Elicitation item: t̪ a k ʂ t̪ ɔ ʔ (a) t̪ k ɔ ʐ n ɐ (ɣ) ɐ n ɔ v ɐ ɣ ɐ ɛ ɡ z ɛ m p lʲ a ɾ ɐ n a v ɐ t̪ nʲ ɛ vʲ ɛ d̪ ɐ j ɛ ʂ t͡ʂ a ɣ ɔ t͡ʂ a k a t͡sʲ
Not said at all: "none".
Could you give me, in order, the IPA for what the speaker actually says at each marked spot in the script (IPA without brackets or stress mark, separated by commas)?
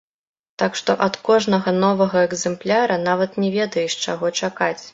ɐ, ɣ